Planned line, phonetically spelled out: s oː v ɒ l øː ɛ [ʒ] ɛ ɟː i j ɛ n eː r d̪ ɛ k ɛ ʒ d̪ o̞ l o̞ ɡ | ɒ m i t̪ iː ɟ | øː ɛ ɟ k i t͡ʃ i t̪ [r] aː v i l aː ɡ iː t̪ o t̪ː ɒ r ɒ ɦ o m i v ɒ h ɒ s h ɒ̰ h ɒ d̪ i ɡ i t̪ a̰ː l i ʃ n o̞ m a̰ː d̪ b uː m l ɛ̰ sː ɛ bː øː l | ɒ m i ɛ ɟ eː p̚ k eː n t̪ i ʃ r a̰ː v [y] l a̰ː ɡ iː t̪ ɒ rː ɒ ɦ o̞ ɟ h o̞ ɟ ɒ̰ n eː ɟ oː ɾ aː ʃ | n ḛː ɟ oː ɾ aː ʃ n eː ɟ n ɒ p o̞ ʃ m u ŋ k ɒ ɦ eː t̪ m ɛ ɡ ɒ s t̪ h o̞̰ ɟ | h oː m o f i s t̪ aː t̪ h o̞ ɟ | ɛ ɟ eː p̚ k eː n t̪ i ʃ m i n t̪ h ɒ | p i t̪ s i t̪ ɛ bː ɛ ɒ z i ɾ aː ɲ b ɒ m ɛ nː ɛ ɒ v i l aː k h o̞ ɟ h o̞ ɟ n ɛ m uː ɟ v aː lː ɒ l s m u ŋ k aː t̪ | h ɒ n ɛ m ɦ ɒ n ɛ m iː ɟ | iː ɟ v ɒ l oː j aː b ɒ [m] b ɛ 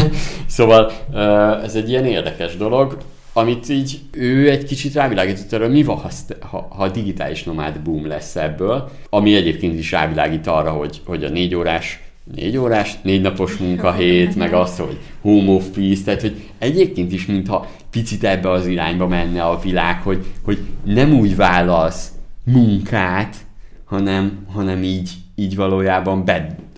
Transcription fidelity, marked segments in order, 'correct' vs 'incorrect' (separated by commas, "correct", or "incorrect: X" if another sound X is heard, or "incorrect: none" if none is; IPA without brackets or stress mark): incorrect: z, correct, incorrect: i, correct